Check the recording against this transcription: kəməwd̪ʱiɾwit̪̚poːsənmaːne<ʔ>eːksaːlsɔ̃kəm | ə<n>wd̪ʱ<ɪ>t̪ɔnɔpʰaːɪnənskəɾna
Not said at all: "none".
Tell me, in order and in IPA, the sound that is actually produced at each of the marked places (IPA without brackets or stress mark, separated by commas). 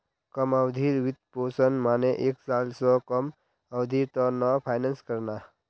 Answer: ʔ, none, i